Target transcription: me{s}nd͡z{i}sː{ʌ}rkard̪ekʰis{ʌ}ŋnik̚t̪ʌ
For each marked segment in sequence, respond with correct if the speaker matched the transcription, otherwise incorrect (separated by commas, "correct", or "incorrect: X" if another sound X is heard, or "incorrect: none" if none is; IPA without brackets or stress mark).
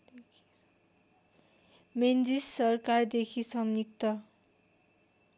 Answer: incorrect: none, correct, correct, correct